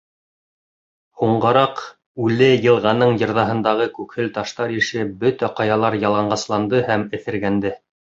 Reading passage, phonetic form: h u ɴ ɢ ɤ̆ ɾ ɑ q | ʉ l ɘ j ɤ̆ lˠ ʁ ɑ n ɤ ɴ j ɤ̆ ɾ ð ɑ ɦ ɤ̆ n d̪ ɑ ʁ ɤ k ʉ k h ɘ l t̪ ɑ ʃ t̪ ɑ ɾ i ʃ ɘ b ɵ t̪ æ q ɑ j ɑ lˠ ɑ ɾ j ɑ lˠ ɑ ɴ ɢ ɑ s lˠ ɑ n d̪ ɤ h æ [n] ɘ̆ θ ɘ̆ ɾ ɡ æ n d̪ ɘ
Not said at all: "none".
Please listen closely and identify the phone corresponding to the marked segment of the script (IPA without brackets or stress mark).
m